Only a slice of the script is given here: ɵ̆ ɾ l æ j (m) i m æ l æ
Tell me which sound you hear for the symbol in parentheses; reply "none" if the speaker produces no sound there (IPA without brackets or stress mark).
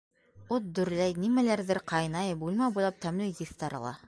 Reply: n